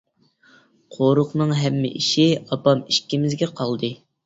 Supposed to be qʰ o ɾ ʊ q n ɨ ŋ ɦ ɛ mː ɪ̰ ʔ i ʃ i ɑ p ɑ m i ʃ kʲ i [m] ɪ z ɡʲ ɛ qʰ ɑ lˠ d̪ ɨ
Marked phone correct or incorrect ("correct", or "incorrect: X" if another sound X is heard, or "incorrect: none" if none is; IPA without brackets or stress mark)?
correct